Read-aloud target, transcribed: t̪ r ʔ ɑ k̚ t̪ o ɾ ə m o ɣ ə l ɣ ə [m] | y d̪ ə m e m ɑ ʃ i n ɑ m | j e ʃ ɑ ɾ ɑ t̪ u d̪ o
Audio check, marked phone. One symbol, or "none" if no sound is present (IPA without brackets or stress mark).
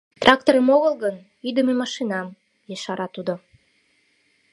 n